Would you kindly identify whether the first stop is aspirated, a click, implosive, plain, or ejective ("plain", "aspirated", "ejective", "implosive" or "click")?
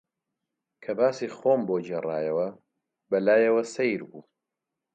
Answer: aspirated